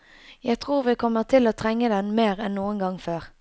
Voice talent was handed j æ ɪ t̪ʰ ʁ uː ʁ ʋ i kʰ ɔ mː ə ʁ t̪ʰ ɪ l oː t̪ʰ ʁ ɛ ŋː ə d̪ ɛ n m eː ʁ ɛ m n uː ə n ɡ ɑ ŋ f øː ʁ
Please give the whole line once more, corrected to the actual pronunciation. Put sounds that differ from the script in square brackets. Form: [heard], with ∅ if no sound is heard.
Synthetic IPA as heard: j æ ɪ t̪ʰ ʁ uː ʁ ʋ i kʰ ɔ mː ə ʁ t̪ʰ ɪ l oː t̪ʰ ʁ ɛ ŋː ə d̪ ɛ n m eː ʁ ɛ [n] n uː ə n ɡ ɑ ŋ f øː ʁ